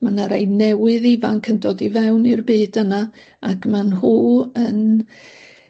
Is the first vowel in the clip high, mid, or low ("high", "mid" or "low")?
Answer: low